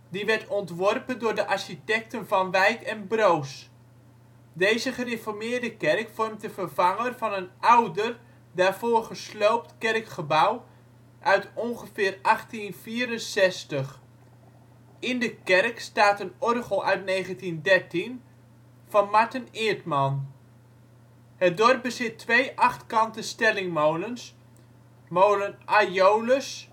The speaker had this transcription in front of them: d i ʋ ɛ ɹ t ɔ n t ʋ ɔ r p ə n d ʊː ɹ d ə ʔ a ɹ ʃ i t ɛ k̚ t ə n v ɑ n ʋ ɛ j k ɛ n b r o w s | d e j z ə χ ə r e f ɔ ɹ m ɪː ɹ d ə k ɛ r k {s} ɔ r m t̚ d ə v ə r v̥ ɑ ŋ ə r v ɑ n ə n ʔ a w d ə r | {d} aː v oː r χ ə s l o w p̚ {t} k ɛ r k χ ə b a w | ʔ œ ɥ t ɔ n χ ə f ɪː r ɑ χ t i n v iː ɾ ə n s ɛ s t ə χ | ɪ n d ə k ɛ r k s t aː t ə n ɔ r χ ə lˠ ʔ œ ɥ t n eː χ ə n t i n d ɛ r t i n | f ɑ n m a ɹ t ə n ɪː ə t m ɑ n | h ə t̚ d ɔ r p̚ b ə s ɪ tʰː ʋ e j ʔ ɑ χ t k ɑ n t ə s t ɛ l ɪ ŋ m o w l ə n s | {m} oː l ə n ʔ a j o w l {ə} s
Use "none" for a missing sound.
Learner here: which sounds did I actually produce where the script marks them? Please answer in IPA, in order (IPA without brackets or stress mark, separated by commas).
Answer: f, d, t, m, ə